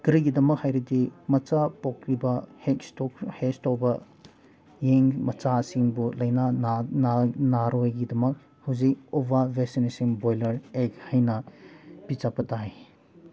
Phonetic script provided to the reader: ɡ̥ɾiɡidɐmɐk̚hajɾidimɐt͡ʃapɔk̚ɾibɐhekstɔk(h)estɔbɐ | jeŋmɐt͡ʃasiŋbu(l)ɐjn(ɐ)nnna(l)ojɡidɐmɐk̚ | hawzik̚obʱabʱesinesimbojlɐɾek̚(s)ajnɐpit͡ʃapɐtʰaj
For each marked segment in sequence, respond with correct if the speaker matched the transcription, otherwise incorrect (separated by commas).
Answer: correct, correct, incorrect, incorrect, incorrect